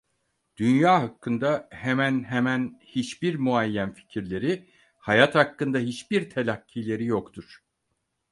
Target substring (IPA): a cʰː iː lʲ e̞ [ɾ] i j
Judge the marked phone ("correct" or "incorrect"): correct